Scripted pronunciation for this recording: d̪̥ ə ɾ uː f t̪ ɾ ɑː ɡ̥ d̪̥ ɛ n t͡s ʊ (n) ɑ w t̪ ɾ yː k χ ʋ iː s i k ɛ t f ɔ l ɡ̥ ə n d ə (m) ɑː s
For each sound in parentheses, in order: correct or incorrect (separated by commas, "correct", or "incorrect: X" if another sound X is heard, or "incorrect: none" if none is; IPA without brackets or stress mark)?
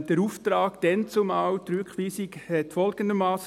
incorrect: m, correct